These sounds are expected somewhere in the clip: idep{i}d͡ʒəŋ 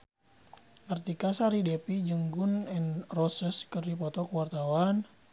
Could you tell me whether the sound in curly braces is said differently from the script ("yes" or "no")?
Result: no